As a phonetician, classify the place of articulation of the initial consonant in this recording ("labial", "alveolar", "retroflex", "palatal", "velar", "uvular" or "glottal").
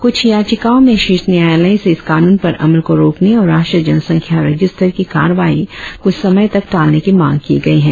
velar